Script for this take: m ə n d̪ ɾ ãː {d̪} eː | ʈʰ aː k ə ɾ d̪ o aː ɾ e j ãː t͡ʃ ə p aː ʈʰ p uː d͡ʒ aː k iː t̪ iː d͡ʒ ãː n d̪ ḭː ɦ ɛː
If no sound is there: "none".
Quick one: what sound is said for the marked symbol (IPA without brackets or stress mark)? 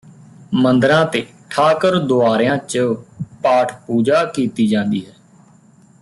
t̪